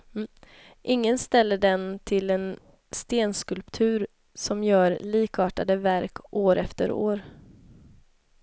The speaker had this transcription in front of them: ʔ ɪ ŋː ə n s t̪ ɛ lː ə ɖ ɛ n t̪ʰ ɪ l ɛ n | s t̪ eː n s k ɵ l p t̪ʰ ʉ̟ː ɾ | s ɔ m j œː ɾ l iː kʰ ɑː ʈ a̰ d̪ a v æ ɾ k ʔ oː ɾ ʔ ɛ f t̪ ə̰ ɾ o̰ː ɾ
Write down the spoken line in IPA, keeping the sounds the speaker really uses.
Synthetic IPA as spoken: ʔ ɪ ŋː ə n s t̪ ɛ lː ə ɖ ɛ n t̪ʰ ɪ l ɛ n | s t̪ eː n s k ɵ l p t̪ʰ ʉ̟ː ɾ | s ɔ m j œː ɾ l iː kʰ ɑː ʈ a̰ d̪ ə v æ ɾ k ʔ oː ɾ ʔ ɛ f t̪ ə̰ ɾ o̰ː ɾ